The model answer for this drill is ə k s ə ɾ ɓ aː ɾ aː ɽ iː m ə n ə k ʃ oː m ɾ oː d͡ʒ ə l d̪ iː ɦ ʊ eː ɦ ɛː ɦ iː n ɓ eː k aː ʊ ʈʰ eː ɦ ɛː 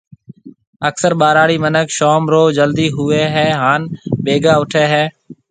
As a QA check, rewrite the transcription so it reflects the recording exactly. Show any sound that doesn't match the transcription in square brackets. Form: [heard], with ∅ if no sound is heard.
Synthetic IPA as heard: ə k s ə ɾ ɓ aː ɾ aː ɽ iː m ə n ə k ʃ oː m ɾ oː d͡ʒ ə l d̪ iː ɦ ʊ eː ɦ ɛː ɦ [aː] n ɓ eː [ɡ] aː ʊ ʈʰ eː ɦ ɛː